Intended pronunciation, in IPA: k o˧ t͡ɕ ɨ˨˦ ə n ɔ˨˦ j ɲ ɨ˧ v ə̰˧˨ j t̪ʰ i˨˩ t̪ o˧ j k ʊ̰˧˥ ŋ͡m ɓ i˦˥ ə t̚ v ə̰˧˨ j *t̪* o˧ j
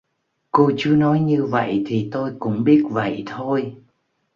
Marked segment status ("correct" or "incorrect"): incorrect